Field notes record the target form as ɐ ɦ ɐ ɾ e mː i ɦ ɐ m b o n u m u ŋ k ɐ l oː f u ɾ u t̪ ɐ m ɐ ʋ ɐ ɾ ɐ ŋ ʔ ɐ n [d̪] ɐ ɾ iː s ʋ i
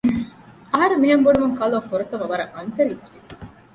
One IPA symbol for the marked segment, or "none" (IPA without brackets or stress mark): t̪